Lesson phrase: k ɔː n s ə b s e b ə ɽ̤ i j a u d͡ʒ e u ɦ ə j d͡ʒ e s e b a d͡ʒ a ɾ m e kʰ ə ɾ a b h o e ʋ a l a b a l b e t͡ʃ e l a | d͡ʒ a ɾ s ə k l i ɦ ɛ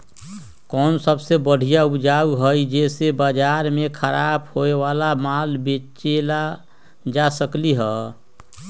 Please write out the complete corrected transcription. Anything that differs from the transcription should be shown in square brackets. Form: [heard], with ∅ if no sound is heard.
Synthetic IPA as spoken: k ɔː n s ə b s e b ə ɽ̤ i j a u d͡ʒ [a] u ɦ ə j d͡ʒ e s e b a d͡ʒ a ɾ m e kʰ ə ɾ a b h o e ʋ a l a [m] a l b e t͡ʃ e l a | d͡ʒ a [∅] s ə k l i ɦ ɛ